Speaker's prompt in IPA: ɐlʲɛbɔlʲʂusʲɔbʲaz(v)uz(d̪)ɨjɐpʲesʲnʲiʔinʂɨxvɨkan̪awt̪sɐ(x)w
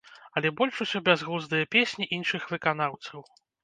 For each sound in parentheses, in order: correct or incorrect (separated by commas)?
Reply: incorrect, correct, incorrect